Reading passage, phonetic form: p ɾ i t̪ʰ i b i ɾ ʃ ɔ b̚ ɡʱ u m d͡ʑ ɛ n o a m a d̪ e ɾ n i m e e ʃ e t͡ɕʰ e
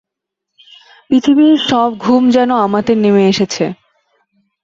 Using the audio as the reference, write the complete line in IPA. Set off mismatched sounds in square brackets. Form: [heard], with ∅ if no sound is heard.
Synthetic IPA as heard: p ɾ i t̪ʰ i b i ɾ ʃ ɔ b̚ ɡʱ u m d͡ʑ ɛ n o a m a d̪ e ɾ n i m e e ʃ e t͡ɕʰ e